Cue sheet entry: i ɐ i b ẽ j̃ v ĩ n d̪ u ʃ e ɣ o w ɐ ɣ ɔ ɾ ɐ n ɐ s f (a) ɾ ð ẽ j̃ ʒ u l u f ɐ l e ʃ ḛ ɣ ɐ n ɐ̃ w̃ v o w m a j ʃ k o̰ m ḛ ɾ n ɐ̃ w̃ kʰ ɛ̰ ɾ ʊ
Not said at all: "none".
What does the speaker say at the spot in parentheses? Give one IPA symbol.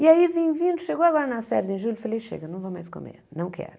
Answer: ɛ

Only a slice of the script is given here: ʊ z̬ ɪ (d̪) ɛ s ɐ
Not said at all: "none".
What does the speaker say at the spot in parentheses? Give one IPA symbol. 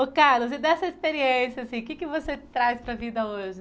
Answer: d̪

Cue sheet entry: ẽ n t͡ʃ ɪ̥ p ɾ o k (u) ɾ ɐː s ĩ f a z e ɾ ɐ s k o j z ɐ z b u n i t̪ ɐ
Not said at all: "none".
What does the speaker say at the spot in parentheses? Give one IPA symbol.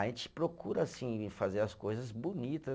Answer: u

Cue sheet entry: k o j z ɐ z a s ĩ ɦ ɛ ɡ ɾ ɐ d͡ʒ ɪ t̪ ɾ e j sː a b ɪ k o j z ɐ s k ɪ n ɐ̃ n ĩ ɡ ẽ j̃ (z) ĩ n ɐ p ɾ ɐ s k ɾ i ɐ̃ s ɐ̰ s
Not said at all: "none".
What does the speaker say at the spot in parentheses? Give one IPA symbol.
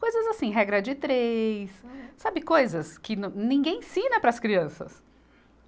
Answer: s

